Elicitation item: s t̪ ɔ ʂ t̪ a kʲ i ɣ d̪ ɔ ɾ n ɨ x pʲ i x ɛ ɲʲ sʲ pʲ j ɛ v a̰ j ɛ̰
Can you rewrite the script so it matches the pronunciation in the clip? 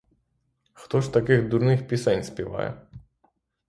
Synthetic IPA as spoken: x t̪ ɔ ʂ t̪ a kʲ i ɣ d̪ u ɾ n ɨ x pʲ i s ɛ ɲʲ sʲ pʲ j ɛ v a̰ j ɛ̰